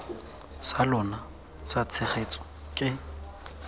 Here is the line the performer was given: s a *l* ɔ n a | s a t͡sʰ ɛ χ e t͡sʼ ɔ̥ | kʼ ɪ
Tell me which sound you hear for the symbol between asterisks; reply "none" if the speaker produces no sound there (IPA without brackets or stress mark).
l